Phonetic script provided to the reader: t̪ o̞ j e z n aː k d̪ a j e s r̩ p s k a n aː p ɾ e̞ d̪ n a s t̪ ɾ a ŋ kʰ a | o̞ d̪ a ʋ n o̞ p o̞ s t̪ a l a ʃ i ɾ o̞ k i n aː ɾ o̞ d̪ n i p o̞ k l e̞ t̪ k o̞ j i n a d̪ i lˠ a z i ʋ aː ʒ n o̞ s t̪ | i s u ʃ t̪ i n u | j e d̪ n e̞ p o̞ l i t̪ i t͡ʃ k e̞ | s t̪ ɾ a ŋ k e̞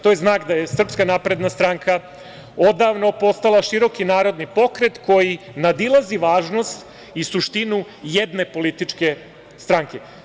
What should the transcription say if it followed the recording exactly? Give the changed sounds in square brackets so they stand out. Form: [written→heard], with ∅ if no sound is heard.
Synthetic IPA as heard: t̪ o̞ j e z n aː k d̪ a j e s r̩ p s k a n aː p ɾ e̞ d̪ n a s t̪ ɾ a ŋ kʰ a | o̞ d̪ a ʋ n o̞ p o̞ s t̪ a l a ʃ i ɾ o̞ k i n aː ɾ o̞ d̪ n i p o̞ k [l→ɾ] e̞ t̪ k o̞ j i n a d̪ i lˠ a z i ʋ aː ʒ n o̞ s t̪ | i s u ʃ t̪ i n u | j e d̪ n e̞ p o̞ l i t̪ i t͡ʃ k e̞ | s t̪ ɾ a ŋ k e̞